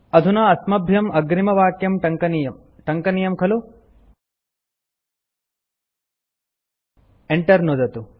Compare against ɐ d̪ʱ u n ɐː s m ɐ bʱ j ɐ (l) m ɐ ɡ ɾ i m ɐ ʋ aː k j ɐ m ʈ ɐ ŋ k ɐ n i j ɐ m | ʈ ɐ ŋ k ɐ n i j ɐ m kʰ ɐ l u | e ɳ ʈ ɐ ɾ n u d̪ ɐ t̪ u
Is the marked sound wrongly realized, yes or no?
yes